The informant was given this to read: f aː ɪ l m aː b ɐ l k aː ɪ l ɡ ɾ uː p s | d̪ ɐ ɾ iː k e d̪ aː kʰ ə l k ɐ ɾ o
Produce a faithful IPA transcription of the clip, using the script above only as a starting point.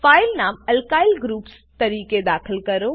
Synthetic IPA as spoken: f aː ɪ l n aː m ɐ l k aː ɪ l ɡ ɾ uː p s | t̪ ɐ ɾ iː k e d̪ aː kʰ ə l k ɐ ɾ o